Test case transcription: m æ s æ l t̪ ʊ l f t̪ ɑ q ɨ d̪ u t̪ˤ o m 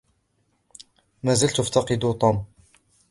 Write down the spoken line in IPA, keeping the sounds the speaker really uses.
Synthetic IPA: m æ z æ l t̪ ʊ f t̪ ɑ q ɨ d̪ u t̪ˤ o m